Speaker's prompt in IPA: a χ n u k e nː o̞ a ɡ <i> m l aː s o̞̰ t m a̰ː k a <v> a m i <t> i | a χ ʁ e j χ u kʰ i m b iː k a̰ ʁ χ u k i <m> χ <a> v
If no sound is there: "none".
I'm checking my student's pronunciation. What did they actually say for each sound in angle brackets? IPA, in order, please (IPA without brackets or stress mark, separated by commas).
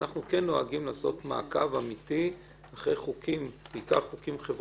i, v, t, m, e